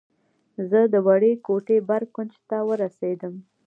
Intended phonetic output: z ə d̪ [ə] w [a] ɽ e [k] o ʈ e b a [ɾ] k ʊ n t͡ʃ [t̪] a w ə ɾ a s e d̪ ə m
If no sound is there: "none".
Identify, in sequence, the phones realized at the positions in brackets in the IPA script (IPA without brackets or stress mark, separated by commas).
ə, a, k, ɾ, t̪